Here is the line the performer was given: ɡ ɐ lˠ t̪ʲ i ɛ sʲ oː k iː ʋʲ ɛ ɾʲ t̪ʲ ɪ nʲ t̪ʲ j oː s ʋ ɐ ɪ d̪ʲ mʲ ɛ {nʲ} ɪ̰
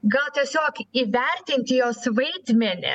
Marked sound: correct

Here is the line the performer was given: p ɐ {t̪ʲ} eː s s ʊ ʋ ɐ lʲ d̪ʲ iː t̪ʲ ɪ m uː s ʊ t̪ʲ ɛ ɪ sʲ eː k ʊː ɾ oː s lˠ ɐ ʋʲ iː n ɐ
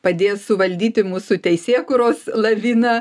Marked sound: incorrect: d̪ʲ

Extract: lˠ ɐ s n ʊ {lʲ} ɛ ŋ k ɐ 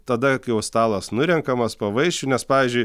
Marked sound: incorrect: ɾʲ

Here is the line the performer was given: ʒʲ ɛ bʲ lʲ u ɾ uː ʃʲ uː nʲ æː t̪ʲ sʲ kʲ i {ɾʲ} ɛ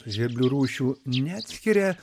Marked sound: correct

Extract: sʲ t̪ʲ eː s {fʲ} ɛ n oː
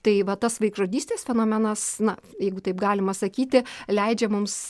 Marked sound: correct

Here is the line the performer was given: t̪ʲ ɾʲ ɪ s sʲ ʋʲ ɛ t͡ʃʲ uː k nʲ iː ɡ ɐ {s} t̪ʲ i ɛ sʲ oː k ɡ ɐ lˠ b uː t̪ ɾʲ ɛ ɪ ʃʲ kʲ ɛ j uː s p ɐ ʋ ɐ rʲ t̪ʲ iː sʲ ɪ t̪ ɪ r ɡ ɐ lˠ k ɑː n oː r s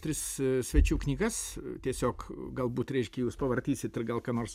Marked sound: correct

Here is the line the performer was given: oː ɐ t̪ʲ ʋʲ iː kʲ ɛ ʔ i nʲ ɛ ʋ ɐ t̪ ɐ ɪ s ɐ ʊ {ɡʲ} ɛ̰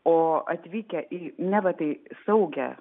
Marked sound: correct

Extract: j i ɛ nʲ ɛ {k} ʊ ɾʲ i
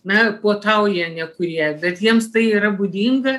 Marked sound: correct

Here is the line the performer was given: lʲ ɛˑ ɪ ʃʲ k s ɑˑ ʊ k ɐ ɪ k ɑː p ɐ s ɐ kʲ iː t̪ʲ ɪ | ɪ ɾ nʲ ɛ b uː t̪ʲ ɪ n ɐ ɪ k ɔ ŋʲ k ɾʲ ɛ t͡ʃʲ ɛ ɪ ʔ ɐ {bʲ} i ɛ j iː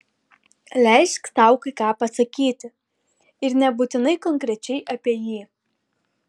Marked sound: incorrect: pʲ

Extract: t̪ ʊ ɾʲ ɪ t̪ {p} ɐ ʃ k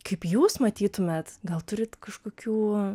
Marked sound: incorrect: k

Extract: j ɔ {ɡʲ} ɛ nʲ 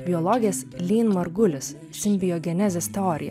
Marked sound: correct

